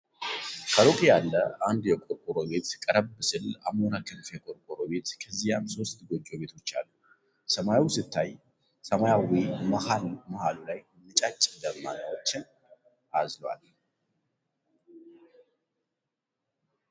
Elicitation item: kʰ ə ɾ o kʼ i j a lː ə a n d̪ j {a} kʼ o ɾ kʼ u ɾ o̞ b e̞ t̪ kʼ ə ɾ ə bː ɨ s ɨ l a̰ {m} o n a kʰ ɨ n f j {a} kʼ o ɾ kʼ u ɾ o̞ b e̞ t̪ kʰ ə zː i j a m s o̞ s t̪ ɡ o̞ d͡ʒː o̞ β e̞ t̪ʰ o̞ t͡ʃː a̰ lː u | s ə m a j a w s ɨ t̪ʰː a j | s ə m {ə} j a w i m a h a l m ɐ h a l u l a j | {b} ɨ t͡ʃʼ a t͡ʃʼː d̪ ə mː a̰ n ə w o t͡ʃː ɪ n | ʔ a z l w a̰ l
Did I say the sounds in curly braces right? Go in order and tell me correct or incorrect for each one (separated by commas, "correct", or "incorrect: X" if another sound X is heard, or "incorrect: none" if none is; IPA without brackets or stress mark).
incorrect: ɛ, correct, incorrect: ɛ, incorrect: a, incorrect: m